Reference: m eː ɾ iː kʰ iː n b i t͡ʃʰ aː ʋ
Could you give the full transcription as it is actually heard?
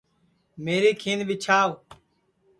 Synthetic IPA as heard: m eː ɾ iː kʰ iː n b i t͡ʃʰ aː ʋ